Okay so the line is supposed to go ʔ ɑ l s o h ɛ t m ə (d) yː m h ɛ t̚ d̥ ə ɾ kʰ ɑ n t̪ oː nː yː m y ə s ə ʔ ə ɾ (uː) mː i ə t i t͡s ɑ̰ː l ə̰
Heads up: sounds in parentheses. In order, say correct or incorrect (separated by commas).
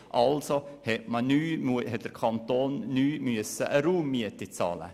incorrect, correct